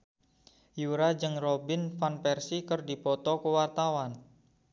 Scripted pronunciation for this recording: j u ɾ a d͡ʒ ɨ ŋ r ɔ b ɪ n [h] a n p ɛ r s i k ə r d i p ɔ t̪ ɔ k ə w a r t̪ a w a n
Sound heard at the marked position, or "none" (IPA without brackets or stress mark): f